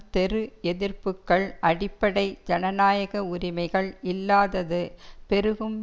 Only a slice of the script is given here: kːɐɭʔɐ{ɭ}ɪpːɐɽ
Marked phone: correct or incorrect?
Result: incorrect